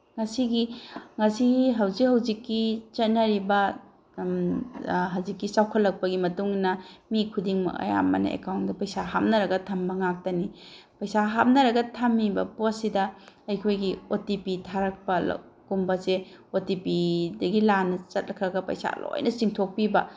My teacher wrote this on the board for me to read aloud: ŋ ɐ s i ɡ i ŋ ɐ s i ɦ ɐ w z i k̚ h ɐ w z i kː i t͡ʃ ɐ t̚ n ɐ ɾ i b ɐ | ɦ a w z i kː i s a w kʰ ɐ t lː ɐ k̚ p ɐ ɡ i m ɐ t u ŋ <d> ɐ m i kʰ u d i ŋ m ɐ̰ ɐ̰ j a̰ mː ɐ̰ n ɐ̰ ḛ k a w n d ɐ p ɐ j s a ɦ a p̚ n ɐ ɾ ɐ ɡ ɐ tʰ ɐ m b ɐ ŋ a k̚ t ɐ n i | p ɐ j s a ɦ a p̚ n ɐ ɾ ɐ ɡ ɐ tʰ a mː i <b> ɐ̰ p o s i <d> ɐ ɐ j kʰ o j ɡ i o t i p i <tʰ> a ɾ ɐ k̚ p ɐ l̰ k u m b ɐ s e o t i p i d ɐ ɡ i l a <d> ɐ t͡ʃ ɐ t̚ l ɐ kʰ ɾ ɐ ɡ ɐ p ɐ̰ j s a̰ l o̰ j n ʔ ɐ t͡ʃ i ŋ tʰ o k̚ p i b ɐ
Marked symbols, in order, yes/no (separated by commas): no, yes, yes, yes, no